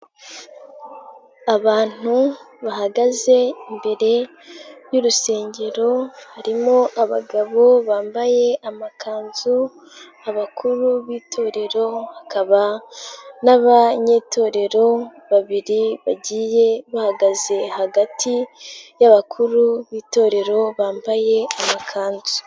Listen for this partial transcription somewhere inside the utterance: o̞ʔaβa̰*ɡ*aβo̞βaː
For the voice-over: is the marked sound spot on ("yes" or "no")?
yes